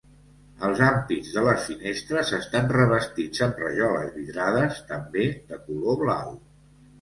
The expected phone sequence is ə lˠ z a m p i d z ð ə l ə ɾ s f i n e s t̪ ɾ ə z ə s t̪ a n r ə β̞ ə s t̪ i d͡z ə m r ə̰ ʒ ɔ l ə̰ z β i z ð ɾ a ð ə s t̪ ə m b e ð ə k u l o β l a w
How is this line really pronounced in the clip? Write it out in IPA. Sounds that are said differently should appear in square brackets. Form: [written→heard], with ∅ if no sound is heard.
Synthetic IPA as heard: ə lˠ z a m p i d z ð ə l ə [ɾ→∅] s f i n e s t̪ ɾ ə z ə s t̪ a n r ə β̞ ə s t̪ i d͡z ə m r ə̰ ʒ ɔ l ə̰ z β i [z→∅] ð ɾ a ð ə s t̪ ə m b e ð ə k u l o β l a w